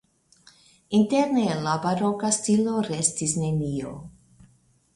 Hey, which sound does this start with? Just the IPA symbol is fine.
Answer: i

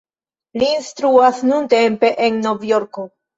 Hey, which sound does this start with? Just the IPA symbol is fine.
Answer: l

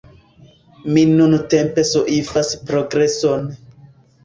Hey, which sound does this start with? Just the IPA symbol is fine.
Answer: m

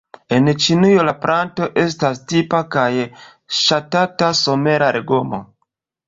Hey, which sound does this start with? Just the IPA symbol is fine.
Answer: e̞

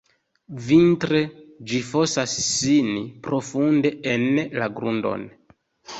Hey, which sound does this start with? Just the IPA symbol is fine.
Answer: v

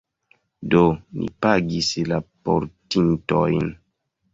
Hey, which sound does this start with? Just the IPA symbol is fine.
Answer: d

